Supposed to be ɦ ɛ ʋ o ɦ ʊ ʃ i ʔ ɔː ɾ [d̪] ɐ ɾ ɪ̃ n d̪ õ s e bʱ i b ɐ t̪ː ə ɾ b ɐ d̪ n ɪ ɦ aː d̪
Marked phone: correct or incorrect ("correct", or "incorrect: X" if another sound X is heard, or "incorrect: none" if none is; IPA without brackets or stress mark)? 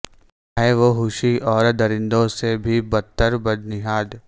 correct